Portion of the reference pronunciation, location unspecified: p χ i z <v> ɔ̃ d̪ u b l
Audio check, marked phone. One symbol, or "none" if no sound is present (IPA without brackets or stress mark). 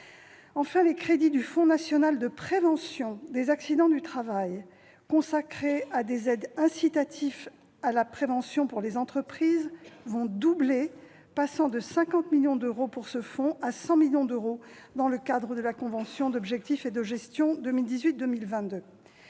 v